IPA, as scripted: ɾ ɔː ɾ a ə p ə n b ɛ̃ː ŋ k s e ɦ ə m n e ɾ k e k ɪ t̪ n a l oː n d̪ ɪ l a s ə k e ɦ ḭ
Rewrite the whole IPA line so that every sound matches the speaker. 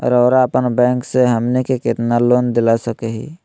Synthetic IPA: ɾ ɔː ɾ a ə p ə n b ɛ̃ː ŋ k s e ɦ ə m n e k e k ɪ t̪ n a l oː n d̪ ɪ l a s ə k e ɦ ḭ